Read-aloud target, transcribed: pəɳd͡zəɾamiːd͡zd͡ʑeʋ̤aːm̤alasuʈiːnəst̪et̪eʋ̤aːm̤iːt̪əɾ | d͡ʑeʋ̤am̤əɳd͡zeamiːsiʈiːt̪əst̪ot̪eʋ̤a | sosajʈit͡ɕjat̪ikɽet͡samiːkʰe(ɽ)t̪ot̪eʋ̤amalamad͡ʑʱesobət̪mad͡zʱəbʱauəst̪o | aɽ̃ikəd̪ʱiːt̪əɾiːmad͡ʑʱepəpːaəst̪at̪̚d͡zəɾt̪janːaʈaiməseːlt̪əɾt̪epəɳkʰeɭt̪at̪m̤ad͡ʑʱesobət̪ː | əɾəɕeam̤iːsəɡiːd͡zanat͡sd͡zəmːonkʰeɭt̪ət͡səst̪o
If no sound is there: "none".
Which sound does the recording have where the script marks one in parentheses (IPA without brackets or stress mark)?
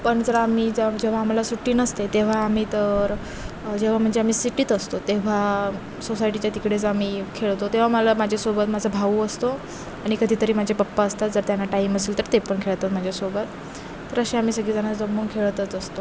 ɭ